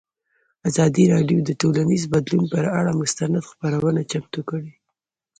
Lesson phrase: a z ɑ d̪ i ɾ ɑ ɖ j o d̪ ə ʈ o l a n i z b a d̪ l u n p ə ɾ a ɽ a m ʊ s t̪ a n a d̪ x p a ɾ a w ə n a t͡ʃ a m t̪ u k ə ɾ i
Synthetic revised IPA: a z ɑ d̪ i ɾ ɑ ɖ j o d̪ ə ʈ o l a n i z b a d̪ l u n p ə ɾ a ɽ a m ʊ s t̪ a n a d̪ x p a ɾ a w ə n a t͡ʃ a m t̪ u k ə ɽ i